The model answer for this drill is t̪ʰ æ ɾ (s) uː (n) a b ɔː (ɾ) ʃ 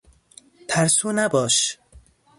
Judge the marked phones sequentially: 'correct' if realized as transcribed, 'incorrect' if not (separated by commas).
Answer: correct, correct, incorrect